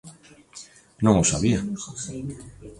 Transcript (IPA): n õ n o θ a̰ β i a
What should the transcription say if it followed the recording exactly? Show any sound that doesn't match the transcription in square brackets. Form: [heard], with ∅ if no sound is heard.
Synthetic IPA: n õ [ŋ] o [s] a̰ β i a